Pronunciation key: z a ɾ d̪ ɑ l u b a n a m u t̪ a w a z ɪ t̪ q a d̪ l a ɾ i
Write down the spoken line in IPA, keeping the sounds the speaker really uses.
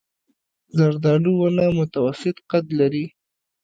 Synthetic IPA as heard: z a ɾ d̪ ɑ l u w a n a m ʊ t̪ a w a s ɪ t̪ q a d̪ l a ɾ i